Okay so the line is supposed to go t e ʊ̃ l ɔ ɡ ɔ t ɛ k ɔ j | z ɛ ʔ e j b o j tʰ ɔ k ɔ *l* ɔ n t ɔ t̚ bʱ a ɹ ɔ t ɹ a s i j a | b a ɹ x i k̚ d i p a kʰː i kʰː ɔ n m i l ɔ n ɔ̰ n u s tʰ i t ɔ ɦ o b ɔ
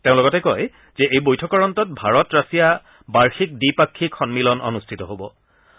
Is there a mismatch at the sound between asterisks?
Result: yes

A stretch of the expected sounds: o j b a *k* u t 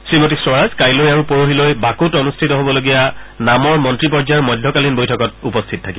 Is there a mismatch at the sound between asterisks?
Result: no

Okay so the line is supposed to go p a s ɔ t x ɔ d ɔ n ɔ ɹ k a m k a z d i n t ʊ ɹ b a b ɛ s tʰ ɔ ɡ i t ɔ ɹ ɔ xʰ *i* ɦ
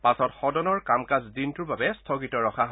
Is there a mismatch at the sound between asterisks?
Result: yes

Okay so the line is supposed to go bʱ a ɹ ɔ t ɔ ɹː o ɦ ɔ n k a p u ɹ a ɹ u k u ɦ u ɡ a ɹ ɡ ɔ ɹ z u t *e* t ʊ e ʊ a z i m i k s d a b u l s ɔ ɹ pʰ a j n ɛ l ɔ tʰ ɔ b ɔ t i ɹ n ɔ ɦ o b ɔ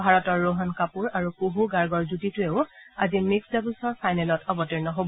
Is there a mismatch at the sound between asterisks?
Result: yes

